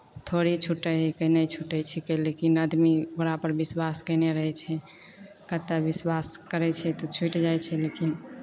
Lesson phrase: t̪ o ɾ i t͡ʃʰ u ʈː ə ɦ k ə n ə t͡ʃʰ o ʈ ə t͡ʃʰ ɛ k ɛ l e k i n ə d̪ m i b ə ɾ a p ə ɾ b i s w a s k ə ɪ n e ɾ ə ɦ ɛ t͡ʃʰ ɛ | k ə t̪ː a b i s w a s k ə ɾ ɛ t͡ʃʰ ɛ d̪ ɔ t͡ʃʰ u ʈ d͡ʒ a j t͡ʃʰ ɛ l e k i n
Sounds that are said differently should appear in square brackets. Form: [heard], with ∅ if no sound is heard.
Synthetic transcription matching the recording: [t̪ʰ] o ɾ i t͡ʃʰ u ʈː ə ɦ k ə n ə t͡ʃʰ [u] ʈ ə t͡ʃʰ ɛ k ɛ l e k i n ə d̪ m i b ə ɾ a p ə ɾ b i s w a s k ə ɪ n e ɾ ə ɦ ɛ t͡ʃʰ ɛ | k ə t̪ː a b i s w a s k ə ɾ ɛ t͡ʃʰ ɛ [t̪] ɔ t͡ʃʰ u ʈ d͡ʒ a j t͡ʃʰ ɛ l e k i n

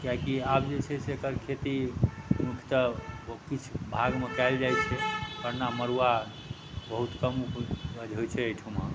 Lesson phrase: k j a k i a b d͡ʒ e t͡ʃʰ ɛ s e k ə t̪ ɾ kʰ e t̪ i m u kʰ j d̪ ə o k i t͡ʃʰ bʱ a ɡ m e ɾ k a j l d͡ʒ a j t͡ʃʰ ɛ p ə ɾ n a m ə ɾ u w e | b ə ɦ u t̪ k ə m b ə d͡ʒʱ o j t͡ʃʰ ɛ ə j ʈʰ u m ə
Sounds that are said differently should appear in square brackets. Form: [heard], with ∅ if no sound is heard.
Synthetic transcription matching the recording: k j a k i a b d͡ʒ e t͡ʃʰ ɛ s e k ə [∅] ɾ kʰ e t̪ i m u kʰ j [t̪] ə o k i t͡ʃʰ bʱ a ɡ m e [∅] k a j l d͡ʒ a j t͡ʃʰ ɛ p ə ɾ n a m ə ɾ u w [a] | b ə ɦ u t̪ k ə m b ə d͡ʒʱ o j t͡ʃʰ ɛ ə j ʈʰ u m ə

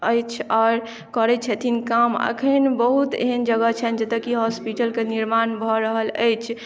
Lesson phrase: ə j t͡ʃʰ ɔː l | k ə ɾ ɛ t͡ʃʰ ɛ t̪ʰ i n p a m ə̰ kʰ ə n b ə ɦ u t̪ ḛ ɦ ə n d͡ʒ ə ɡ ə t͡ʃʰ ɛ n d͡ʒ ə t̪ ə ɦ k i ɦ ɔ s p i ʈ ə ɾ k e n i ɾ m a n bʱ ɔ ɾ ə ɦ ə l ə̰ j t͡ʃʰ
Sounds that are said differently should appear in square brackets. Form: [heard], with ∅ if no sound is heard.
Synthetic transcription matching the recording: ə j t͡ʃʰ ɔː [ɾ] | k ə ɾ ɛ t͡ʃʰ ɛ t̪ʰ i n [k] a m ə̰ kʰ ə n b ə ɦ u t̪ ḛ ɦ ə n d͡ʒ ə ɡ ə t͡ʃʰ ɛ n d͡ʒ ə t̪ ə [∅] k i ɦ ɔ s p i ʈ ə [l] k e n i ɾ m a n bʱ ɔ ɾ ə ɦ ə l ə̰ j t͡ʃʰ

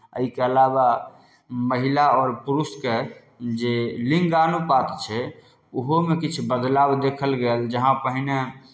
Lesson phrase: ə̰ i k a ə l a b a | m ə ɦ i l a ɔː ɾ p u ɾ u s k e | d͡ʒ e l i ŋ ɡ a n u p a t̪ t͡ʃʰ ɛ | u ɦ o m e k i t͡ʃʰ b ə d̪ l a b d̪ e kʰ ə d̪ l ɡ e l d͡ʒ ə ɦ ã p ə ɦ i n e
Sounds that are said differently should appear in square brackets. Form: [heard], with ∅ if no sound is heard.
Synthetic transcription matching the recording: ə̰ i k [e] ə l a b a | m ə ɦ i l a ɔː ɾ p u ɾ u s k e | d͡ʒ e l i ŋ ɡ a n u p a t̪ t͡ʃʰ ɛ | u ɦ o m e k i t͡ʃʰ b ə d̪ l a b d̪ e kʰ ə [∅] l ɡ e l d͡ʒ ə ɦ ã p ə ɦ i n e

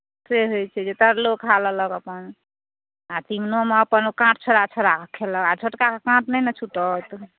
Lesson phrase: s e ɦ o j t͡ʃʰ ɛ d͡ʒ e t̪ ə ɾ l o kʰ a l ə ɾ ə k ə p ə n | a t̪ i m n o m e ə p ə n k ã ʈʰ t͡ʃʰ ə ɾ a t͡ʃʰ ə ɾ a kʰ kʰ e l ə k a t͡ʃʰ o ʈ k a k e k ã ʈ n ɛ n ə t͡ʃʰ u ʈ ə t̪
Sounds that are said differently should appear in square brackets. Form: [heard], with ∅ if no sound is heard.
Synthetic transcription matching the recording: s e ɦ o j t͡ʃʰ ɛ d͡ʒ e t̪ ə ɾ l o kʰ a l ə [l] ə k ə p ə n | a t̪ i m n o m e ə p ə n k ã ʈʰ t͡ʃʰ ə ɾ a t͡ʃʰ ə ɾ a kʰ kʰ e l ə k a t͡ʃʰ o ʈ k a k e k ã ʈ n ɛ n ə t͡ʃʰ u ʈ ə t̪

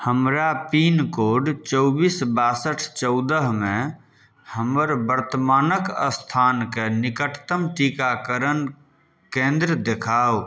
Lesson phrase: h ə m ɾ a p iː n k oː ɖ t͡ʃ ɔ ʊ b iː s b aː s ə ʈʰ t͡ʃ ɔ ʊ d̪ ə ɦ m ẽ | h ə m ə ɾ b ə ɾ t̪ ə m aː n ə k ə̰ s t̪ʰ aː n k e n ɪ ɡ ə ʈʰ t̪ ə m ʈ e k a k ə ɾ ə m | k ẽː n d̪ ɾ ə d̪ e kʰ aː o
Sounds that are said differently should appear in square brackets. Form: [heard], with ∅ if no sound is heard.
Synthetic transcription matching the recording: h ə m ɾ a p iː n k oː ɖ t͡ʃ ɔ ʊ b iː s b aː s ə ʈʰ t͡ʃ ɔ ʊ d̪ ə ɦ m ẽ | h ə m ə ɾ b ə ɾ t̪ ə m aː n ə k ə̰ s t̪ʰ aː n k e n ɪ [k] ə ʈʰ t̪ ə m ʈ [i] k a k ə ɾ ə [n] | k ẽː n d̪ ɾ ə d̪ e kʰ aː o

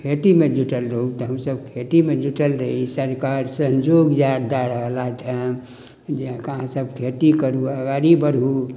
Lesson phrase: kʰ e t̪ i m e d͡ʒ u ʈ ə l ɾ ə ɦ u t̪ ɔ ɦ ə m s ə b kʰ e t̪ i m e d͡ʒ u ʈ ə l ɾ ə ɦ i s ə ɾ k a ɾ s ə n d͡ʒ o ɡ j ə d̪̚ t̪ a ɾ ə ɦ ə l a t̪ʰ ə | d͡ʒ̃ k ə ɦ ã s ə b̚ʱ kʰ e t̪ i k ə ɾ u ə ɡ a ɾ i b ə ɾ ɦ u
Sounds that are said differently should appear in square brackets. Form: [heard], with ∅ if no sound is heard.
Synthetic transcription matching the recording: kʰ e t̪ i m e d͡ʒ u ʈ ə l ɾ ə ɦ u t̪ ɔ ɦ ə m s ə b kʰ e t̪ i m e d͡ʒ u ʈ ə l ɾ ə ɦ i s ə ɾ k a ɾ s ə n d͡ʒ o ɡ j [a] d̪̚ [d̪] a ɾ ə ɦ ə l a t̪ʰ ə | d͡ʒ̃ k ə ɦ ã s ə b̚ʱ kʰ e t̪ i k ə ɾ u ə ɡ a ɾ i b ə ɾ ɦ u

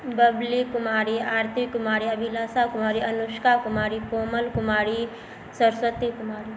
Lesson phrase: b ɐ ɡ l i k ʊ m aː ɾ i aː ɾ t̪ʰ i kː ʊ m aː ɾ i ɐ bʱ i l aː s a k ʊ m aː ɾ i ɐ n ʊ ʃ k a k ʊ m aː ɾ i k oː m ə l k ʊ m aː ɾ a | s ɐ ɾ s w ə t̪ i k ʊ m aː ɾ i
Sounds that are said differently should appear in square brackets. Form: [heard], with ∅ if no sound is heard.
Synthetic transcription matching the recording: b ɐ [b] l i k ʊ m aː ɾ i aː ɾ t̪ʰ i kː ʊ m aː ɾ i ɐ bʱ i l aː s a k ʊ m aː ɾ i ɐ n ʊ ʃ k a k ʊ m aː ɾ i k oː m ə l k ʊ m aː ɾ [i] | s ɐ ɾ s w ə t̪ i k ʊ m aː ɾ i

